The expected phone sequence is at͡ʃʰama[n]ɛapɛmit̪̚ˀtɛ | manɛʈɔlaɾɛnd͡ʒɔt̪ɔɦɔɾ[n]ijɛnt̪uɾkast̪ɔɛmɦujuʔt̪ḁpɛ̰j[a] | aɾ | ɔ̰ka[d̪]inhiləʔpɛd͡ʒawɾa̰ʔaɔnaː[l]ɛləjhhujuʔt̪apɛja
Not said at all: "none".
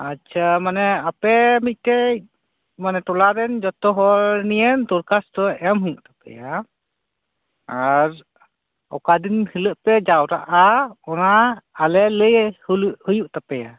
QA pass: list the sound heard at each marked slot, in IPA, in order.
n, n, a, d̪, l

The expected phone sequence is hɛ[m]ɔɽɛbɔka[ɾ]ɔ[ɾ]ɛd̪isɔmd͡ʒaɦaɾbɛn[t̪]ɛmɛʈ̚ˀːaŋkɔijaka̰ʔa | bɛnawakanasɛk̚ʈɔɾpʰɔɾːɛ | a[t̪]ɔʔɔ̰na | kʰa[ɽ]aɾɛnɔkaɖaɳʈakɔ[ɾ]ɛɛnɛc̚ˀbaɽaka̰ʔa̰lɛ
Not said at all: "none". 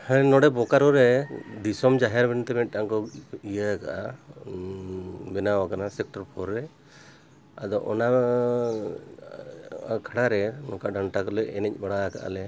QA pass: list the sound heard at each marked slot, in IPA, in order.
n, ɾ, ɾ, t̪, d̪, ɽ, l

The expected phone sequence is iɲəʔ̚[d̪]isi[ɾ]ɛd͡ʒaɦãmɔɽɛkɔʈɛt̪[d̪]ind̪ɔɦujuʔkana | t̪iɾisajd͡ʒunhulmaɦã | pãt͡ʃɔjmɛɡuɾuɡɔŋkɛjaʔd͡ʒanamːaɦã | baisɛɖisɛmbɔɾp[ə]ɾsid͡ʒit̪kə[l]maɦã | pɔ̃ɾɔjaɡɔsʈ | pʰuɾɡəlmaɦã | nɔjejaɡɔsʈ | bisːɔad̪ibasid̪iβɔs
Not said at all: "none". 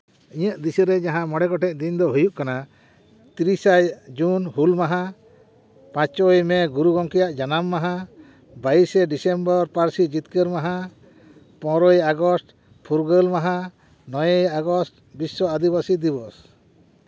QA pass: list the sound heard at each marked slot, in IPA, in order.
d̪, ɾ, d̪, a, ɾ

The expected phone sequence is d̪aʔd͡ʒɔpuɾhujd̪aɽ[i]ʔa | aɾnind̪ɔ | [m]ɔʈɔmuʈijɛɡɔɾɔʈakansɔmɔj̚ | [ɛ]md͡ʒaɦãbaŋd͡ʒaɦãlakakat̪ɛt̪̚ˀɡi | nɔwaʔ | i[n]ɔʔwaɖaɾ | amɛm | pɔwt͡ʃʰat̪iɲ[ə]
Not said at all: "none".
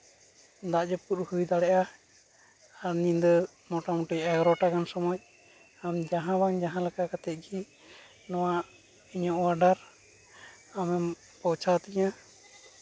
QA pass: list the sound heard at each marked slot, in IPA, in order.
ɛ, m, a, ɲ, a

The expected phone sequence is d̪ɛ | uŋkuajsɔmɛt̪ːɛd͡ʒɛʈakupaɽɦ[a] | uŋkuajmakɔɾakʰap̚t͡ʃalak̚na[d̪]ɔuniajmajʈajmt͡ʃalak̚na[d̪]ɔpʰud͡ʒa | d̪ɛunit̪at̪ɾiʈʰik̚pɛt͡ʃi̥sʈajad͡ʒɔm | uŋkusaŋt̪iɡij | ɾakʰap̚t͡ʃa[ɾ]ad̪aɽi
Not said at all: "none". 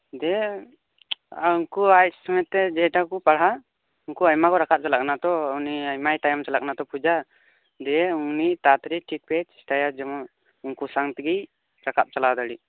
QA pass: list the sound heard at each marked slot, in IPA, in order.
a, t̪, t̪, l

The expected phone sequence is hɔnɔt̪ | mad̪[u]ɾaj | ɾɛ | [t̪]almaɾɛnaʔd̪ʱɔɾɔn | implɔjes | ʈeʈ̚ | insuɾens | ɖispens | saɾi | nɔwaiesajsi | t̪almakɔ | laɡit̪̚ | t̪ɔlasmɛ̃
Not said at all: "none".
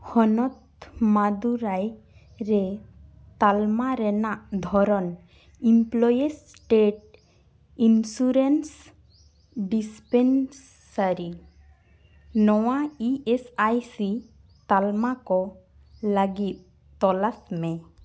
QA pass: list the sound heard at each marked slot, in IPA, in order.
u, t̪

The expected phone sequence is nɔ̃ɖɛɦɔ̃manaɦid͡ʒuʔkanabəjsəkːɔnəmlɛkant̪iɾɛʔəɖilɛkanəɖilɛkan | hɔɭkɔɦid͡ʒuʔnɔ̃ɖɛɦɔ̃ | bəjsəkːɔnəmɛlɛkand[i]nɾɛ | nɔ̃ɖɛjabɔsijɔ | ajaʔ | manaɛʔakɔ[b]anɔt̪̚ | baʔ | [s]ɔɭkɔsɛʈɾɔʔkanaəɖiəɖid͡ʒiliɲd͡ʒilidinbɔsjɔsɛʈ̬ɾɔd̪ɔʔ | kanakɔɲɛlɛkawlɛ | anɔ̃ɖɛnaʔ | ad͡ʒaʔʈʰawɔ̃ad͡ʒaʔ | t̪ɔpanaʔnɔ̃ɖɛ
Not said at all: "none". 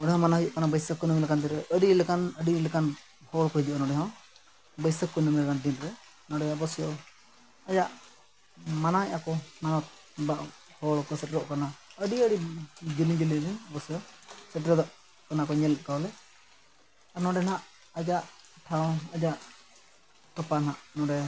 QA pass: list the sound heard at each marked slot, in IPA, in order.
i, m, h

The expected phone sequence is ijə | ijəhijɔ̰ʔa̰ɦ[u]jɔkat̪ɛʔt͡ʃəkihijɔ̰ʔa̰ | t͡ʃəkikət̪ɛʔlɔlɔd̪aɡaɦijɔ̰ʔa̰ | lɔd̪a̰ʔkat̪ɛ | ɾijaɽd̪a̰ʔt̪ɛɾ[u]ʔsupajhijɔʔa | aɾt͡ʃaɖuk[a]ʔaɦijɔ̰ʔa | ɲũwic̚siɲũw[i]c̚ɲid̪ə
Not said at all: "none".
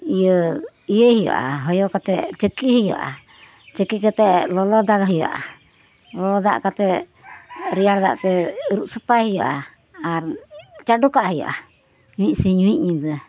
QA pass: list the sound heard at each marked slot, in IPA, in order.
ɔ, u, a, i

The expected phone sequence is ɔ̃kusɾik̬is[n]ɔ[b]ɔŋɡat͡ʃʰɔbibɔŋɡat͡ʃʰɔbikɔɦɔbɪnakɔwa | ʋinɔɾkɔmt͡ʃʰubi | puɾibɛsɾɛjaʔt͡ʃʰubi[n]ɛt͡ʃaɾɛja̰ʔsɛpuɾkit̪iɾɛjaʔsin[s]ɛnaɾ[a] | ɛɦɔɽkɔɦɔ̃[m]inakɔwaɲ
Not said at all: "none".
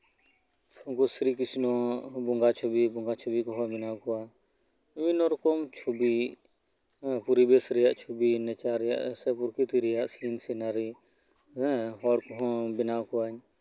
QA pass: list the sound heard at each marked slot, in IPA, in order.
n, b, n, s, i, b

